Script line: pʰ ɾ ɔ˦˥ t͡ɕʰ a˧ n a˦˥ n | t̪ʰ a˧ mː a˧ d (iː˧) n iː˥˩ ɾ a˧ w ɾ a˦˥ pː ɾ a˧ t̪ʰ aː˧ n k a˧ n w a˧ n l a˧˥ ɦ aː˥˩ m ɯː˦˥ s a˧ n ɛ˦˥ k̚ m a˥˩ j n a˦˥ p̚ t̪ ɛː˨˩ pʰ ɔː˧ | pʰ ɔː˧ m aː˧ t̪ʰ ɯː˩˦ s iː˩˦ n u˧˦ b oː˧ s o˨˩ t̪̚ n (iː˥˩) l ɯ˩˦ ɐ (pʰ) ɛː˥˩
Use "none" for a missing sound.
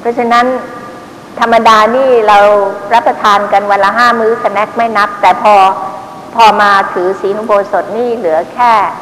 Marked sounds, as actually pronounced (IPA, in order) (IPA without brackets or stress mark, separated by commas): aː˧, iː˥˩, kʰ